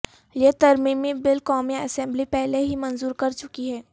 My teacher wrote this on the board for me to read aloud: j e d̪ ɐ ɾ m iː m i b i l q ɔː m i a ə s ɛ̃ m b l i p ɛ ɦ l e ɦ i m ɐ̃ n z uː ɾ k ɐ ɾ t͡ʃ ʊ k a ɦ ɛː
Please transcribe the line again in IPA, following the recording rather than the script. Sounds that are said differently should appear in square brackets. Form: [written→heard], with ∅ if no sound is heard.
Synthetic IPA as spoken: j e [d̪→t̪] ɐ ɾ m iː m i b [i→ɪ] l [q→k] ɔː m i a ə s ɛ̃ m b l i p ɛ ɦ l e ɦ i m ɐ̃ n z uː ɾ k ɐ ɾ t͡ʃ ʊ k [a→i] ɦ ɛː